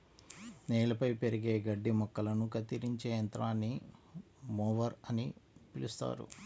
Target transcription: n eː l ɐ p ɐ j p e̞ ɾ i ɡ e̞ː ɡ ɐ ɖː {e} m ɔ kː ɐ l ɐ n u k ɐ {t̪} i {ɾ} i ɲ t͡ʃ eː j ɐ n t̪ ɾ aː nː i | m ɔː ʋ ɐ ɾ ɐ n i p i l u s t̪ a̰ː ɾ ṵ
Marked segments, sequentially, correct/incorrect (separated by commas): incorrect, correct, correct